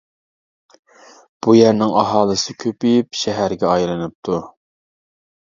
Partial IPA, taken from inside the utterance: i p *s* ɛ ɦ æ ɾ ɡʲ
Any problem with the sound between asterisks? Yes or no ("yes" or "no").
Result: yes